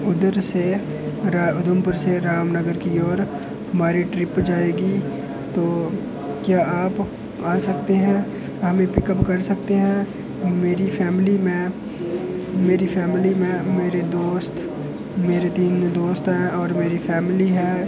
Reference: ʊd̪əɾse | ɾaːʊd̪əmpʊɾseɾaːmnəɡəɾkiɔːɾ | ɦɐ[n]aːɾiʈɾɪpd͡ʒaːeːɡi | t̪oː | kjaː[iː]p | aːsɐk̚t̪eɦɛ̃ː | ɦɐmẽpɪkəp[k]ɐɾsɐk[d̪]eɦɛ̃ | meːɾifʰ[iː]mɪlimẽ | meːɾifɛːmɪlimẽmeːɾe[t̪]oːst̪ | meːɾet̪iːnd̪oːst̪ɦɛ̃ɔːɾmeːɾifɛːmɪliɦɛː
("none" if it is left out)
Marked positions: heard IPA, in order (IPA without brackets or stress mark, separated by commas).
m, aː, k, t̪, ɛː, d̪